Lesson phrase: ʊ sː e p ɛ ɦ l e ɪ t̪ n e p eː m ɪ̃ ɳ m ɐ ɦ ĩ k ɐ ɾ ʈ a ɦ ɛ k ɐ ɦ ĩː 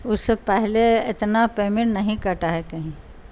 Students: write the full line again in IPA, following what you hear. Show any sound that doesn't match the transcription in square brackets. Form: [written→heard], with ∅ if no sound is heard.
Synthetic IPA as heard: ʊ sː e p ɛ ɦ l e ɪ t̪ n [e→a] p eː m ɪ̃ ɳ [m→n] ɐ ɦ ĩ k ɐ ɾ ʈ a ɦ ɛ k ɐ ɦ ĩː